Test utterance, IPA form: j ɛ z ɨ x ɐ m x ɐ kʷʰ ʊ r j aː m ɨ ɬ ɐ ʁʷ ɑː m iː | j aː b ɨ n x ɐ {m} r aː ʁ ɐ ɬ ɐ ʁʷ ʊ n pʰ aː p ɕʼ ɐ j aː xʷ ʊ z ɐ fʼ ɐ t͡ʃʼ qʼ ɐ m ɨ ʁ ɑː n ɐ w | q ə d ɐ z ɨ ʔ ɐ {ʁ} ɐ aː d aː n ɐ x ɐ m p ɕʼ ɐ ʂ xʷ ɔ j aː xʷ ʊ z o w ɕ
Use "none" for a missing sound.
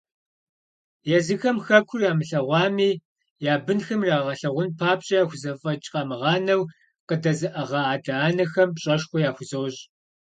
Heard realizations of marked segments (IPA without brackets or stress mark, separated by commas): m, ʁ